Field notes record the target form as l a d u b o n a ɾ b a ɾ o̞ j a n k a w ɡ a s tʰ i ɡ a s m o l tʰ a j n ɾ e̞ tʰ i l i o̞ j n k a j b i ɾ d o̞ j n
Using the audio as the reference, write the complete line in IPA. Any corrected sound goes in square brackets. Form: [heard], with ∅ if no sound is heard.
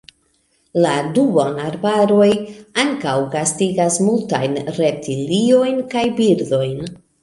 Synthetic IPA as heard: l a d u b o n a ɾ b a ɾ o̞ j a [ŋ] k a w ɡ a s [t] i ɡ a s m [u] l [t] a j n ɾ e̞ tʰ i l i o̞ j n k a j b i ɾ d o̞ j n